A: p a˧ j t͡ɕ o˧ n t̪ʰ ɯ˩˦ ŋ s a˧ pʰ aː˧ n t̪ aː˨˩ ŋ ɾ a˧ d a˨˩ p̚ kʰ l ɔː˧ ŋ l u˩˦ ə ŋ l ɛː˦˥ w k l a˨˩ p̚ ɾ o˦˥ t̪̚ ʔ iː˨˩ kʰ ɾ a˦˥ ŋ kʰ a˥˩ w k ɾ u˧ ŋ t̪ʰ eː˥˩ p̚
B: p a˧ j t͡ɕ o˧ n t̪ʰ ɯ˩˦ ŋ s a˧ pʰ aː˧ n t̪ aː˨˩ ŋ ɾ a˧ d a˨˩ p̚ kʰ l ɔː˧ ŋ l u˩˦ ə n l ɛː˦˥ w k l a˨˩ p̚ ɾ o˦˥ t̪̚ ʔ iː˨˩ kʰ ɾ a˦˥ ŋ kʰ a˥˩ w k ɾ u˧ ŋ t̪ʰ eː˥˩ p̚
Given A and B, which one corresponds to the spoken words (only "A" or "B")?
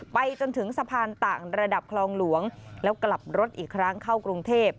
A